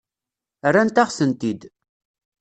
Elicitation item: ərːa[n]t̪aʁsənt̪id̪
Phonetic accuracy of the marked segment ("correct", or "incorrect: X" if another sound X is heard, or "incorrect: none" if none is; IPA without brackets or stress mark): correct